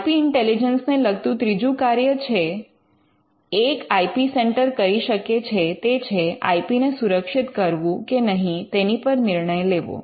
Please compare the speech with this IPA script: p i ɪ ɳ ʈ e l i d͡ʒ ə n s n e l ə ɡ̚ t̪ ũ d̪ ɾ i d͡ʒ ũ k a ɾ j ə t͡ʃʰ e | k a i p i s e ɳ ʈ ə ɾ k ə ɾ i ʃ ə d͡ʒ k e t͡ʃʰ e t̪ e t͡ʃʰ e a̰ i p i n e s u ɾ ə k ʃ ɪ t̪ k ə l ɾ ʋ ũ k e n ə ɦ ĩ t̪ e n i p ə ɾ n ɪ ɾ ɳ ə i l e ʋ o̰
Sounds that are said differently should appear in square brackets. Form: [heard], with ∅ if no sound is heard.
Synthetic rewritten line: p i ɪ ɳ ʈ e l i d͡ʒ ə n s n e l ə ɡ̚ t̪ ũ [t̪] ɾ i d͡ʒ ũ k a ɾ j ə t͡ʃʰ e | k a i p i s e ɳ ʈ ə ɾ k ə ɾ i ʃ ə [∅] k e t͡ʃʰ e t̪ e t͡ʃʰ e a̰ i p i n e s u ɾ ə k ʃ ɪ t̪ k ə [∅] ɾ ʋ ũ k e n ə ɦ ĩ t̪ e n i p ə ɾ n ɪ ɾ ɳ ə [j] l e ʋ o̰

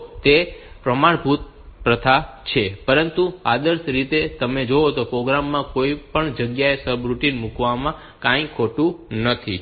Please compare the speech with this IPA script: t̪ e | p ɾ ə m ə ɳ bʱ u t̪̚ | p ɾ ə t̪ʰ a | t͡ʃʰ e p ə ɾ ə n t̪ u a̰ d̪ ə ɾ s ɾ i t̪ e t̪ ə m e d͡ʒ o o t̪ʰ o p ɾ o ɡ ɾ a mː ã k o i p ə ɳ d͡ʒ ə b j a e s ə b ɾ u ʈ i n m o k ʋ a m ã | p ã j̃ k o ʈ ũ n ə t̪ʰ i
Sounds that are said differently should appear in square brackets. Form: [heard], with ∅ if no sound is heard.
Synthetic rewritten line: t̪ e | p ɾ ə m [a] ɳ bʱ u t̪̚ | p ɾ ə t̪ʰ a | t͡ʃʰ e p ə ɾ ə n t̪ u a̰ d̪ ə ɾ s ɾ i t̪ e t̪ ə m e d͡ʒ o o [t̪] o p ɾ o ɡ ɾ a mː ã k o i p ə ɳ d͡ʒ ə [ɡ] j a e s ə b ɾ u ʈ i n m [u] k ʋ a m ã | [k] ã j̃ [kʰ] o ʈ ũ n ə t̪ʰ i

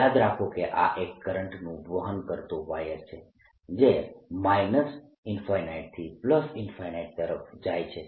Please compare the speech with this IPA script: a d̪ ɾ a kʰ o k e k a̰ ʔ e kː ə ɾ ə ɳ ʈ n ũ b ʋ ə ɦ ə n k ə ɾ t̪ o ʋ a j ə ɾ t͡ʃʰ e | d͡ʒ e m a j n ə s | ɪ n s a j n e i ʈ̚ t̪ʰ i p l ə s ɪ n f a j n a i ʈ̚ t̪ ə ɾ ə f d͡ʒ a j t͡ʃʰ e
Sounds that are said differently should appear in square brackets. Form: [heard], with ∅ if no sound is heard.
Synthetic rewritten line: a d̪ ɾ a kʰ o k e [ʔ] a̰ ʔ e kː ə ɾ ə ɳ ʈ n ũ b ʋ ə ɦ ə n k ə ɾ t̪ o ʋ a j ə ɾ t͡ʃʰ e | d͡ʒ e m a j n ə s | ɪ n [f] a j n [a] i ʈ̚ t̪ʰ i p l ə s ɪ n f a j n a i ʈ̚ t̪ ə ɾ ə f d͡ʒ a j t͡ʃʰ e

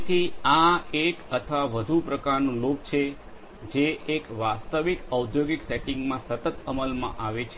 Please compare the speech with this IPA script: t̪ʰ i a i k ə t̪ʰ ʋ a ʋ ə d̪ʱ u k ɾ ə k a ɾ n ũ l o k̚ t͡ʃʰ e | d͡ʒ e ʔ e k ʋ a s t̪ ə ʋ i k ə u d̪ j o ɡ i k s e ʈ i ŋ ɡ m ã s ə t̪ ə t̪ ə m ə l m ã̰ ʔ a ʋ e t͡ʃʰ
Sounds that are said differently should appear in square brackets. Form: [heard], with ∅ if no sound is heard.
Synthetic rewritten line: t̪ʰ i a [e] k ə t̪ʰ ʋ a ʋ ə d̪ʱ u [p] ɾ ə k a ɾ n ũ l o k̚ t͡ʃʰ e | d͡ʒ e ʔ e k ʋ a s t̪ ə ʋ i k ə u d̪ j o ɡ i k s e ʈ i ŋ ɡ m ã s ə t̪ ə t̪ ə m ə l m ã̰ ʔ a ʋ e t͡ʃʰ

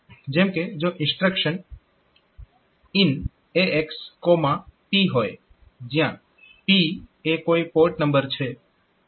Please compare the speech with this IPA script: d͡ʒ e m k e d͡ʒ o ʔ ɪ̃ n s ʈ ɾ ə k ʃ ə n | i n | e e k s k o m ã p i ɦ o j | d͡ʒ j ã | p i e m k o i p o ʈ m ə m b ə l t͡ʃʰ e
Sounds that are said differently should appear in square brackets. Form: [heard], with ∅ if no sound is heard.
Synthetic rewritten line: d͡ʒ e m k e d͡ʒ o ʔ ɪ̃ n s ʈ ɾ ə k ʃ ə n | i n | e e k s k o m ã p i ɦ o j | d͡ʒ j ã | p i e [∅] k o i p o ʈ [n] ə m b ə [ɾ] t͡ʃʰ e

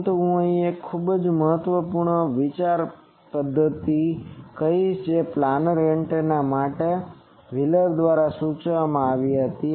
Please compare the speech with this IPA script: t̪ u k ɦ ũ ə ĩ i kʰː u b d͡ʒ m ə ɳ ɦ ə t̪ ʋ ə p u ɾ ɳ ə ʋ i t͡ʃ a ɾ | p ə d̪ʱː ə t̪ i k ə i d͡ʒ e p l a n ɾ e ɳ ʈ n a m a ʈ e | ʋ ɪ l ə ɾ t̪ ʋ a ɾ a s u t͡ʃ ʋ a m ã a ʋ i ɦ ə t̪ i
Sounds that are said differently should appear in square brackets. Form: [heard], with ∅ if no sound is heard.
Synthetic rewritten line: t̪ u [∅] ɦ ũ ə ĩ [e] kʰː u b d͡ʒ m ə [∅] ɦ ə t̪ ʋ ə p u ɾ ɳ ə ʋ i t͡ʃ a ɾ | p ə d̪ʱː ə t̪ i k ə i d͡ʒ e p l a n ɾ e ɳ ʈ n a m a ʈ e | ʋ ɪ l ə ɾ [d̪] ʋ a ɾ a s u t͡ʃ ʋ a m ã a ʋ i ɦ ə t̪ i

